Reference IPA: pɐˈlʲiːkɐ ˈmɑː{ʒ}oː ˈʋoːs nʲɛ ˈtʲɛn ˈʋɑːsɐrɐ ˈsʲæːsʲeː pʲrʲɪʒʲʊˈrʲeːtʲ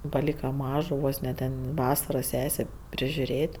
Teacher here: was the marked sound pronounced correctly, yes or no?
yes